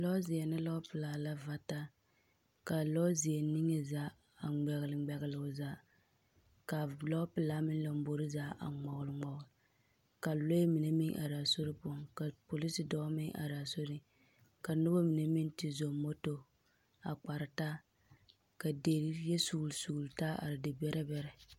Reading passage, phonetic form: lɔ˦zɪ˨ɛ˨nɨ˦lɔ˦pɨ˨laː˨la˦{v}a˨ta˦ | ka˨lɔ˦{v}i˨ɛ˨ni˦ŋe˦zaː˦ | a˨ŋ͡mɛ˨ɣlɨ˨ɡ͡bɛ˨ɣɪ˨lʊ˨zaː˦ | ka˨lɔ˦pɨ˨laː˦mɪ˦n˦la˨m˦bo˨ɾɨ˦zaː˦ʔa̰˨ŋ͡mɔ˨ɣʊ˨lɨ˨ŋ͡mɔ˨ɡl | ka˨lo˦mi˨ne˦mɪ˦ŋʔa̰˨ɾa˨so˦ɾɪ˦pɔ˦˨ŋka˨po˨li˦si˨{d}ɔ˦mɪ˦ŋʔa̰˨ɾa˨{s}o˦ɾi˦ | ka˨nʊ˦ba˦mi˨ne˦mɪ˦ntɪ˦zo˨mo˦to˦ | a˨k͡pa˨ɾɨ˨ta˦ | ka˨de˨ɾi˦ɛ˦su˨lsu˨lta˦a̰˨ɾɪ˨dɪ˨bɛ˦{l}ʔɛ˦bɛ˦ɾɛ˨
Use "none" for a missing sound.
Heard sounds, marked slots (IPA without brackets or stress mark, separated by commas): v, z, d, s, ɾ